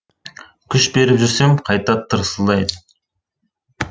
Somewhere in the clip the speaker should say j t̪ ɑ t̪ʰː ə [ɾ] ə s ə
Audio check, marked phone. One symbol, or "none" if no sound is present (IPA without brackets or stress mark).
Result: ɾ